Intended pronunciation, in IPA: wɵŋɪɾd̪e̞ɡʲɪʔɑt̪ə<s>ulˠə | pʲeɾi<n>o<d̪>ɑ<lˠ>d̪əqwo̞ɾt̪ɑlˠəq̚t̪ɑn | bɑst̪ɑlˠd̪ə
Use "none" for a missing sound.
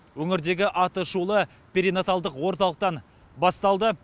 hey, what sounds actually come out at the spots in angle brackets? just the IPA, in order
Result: ʃ, n, t̪, lˠ

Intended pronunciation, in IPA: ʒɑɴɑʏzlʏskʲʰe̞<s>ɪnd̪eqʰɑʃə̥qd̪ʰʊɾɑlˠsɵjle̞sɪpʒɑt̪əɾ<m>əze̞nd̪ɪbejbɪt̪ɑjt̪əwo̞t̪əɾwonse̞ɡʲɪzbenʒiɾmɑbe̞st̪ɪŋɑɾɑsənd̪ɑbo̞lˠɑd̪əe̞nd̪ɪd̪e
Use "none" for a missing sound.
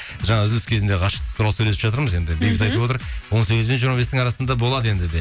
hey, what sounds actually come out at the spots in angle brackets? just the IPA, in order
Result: z, m

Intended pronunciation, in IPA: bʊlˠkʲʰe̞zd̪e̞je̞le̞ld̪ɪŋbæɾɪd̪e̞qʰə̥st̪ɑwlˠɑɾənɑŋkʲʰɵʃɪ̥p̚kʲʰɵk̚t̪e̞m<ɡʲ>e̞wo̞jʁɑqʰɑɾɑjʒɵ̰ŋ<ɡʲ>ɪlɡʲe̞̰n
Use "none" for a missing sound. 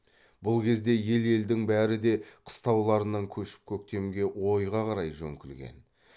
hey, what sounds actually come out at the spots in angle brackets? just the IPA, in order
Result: ɡʲ, kʲ

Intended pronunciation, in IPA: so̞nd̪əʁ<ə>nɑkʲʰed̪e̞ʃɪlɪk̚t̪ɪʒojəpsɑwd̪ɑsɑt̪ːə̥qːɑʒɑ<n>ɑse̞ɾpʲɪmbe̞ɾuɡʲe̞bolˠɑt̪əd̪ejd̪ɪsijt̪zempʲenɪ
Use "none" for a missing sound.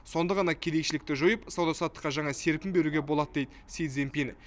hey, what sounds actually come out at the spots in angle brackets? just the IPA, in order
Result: ɑ, ɴ

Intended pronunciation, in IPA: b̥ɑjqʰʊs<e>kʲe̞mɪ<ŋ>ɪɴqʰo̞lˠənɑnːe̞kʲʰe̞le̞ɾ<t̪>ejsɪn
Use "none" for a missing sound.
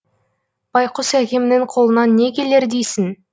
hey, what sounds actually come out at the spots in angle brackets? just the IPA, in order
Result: æ, n, d̪

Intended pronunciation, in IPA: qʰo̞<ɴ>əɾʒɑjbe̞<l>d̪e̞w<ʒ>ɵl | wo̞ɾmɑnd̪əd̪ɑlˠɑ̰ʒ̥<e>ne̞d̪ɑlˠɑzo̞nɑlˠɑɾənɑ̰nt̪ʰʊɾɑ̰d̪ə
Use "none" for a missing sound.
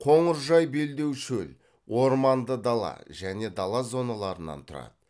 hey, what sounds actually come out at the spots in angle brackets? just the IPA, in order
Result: ɴ, l, ʃ, æ

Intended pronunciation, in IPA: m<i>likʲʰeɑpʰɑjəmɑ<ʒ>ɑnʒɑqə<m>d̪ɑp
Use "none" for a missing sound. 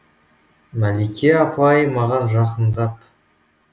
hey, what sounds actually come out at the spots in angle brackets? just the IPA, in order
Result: æ, ʁ, n

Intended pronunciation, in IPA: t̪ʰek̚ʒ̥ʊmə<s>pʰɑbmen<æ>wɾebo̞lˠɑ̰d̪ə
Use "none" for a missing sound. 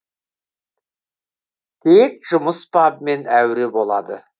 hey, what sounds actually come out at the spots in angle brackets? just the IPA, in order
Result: s, æ

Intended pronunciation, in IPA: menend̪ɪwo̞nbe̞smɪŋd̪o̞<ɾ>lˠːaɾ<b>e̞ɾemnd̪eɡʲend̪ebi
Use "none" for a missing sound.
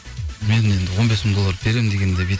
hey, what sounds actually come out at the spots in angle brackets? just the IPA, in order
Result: none, b

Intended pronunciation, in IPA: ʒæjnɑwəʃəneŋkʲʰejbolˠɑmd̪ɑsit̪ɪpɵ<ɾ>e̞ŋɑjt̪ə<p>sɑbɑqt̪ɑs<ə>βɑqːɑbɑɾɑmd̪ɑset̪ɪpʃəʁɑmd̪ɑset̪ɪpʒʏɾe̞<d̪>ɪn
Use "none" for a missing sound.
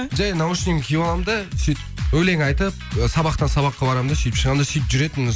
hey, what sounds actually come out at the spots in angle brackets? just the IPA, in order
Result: l, p, ɑ, t̪

